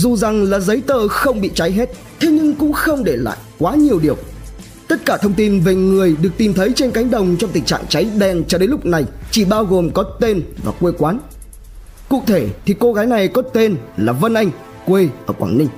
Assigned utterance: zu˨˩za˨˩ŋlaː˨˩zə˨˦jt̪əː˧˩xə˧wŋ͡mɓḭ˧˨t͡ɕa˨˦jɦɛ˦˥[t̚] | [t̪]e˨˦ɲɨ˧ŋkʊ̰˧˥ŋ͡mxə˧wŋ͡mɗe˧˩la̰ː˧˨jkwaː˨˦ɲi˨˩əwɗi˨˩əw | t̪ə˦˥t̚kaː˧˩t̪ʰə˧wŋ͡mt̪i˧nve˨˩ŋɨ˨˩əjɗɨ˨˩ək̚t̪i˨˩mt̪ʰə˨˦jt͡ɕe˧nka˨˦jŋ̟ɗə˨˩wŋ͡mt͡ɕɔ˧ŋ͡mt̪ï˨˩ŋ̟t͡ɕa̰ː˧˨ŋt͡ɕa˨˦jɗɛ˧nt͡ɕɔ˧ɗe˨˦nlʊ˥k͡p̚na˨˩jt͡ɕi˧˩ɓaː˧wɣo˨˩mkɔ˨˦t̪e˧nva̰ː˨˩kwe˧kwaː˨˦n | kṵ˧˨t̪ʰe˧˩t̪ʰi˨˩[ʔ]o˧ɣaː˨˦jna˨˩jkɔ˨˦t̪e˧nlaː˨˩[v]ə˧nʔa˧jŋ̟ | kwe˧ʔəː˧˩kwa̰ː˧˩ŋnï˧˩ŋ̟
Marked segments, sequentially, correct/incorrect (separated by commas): correct, incorrect, incorrect, correct